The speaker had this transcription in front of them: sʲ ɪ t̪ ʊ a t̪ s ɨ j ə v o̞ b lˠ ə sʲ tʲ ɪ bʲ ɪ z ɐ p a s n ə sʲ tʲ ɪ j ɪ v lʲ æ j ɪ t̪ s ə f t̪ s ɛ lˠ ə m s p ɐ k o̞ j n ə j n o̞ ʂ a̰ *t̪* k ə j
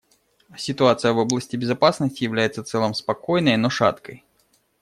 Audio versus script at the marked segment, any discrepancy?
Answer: no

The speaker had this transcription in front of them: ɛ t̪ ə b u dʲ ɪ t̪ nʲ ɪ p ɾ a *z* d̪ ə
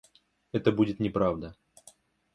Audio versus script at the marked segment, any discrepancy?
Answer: yes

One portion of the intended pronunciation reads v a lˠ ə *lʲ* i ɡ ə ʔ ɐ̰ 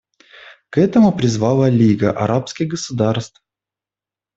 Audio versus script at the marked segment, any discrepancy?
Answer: no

